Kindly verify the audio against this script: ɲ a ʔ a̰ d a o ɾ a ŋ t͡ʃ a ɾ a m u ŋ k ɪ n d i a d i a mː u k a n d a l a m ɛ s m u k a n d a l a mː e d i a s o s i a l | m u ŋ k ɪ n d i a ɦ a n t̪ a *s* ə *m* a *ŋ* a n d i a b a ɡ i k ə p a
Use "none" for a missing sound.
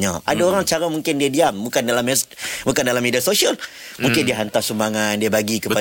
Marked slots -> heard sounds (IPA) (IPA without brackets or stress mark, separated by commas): s, m, ŋ